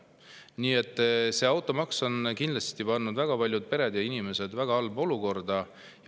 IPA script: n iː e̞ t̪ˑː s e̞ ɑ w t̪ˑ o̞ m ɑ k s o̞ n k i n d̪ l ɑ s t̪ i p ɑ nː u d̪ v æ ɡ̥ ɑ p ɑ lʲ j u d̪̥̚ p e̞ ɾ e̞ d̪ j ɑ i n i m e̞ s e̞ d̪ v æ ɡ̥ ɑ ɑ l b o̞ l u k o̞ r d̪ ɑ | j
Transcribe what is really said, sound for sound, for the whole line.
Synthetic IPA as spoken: n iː e̞ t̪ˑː s e̞ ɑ w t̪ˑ o̞ m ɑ k s o̞ n k i n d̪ l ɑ s t̪ i p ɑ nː u d̪ v æ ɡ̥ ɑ p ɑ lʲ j u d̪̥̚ p e̞ ɾ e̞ d̪ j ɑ i n i m e̞ s e̞ d̪ v æ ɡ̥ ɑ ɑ l b o̞ l u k o̞ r d̪ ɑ | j